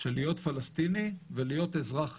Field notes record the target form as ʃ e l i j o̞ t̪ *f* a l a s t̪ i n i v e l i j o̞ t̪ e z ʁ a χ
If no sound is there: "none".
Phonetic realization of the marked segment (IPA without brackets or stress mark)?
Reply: f